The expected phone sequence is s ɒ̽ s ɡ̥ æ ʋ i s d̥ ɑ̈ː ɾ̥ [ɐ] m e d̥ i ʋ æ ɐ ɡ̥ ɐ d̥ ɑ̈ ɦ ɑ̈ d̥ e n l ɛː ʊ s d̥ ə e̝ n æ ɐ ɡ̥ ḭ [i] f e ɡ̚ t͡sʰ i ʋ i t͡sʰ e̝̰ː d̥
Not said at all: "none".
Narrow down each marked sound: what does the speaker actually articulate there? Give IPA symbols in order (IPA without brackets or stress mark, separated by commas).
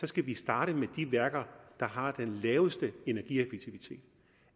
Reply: ə, e